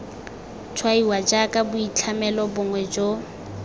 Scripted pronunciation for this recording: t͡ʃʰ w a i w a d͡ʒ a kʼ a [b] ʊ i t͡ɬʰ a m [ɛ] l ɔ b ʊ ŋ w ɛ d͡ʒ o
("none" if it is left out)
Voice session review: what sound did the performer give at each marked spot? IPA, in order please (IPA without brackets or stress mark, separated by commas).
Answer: b, ɛ